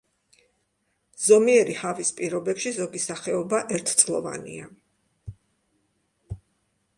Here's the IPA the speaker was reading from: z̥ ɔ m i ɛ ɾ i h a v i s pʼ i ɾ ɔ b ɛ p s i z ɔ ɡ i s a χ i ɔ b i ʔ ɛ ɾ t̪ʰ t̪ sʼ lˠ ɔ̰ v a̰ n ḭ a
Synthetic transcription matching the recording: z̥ ɔ m i ɛ ɾ i h a v i s pʼ i ɾ ɔ b ɛ p ʃ i z ɔ ɡ i s a χ ɛ ɔ b a ʔ ɛ ɾ t̪ʰ t̪ sʼ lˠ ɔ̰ v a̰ n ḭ a